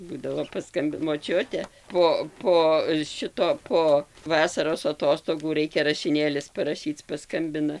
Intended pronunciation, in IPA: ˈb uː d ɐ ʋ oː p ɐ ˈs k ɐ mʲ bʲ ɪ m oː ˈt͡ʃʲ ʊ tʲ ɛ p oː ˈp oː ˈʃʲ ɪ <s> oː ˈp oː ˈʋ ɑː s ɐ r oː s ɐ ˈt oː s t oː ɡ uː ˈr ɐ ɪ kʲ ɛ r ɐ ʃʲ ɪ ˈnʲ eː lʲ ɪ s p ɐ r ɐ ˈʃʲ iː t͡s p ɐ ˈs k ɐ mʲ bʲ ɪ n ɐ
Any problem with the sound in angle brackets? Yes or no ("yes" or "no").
yes